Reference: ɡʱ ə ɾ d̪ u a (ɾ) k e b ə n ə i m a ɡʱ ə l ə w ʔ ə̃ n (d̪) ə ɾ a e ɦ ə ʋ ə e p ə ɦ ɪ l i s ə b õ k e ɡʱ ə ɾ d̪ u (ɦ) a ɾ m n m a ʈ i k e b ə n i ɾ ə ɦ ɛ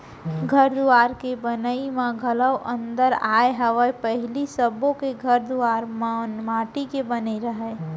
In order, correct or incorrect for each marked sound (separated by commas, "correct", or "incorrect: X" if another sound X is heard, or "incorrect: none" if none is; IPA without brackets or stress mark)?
correct, correct, incorrect: none